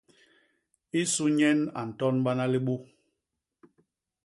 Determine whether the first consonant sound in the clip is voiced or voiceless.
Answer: voiceless